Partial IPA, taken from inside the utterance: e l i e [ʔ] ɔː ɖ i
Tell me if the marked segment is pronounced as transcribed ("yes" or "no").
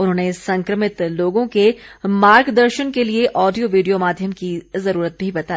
yes